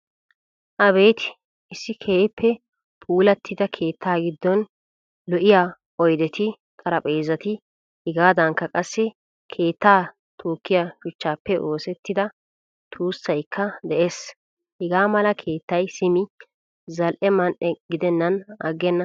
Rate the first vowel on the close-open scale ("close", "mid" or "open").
open